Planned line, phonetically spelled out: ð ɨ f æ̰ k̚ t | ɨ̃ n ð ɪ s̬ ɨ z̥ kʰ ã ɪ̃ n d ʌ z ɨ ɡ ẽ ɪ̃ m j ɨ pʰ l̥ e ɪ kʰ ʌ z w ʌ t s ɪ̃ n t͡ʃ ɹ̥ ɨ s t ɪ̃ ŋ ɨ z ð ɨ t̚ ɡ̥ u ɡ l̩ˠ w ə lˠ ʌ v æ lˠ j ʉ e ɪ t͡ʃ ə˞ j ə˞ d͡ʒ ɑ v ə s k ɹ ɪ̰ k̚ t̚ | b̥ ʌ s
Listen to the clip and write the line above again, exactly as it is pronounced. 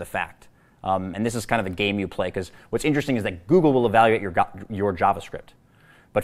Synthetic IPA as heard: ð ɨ f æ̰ k̚ t | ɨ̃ n ð ɪ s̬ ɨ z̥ kʰ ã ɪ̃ n d ʌ v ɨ ɡ ẽ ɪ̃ m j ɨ pʰ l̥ e ɪ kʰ ʌ z w ʌ t s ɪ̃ n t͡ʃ ɹ̥ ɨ s t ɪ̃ ŋ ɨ z ð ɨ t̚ ɡ̥ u ɡ l̩ˠ w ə lˠ ə v æ lˠ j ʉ e ɪ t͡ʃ ə˞ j ə˞ d͡ʒ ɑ v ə s k ɹ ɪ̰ p̚ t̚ | b̥ ʌ t